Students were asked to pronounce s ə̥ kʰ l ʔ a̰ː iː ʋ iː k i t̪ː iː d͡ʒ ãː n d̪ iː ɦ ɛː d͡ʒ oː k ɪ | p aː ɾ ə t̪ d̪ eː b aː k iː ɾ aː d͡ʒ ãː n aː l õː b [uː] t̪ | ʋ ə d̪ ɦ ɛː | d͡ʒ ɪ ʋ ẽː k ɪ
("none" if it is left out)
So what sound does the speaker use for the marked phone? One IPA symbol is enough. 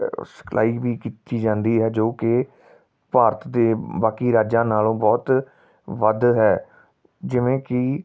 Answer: ɔː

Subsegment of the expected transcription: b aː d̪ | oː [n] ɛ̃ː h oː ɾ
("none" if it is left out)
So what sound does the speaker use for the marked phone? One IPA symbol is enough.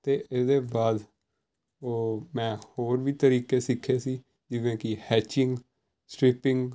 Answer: m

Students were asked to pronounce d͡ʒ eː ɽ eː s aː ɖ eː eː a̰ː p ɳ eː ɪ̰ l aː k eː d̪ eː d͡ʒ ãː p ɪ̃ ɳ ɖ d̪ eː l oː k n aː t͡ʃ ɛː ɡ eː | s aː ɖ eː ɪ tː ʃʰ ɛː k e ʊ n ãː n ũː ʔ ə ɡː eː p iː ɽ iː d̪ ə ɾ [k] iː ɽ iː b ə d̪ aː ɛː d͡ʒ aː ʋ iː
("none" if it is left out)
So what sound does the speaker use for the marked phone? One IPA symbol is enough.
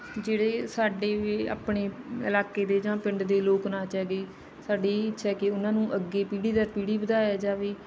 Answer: p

